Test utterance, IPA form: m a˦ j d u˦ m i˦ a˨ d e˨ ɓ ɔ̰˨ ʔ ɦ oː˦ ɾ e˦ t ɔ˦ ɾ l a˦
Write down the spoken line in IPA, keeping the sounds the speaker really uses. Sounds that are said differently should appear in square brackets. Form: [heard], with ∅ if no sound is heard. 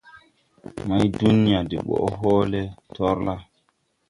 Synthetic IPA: m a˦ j d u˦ [n] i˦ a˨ d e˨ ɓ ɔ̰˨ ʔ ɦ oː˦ [l] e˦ t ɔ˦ ɾ l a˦